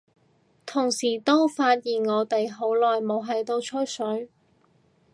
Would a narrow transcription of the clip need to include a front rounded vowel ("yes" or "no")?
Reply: no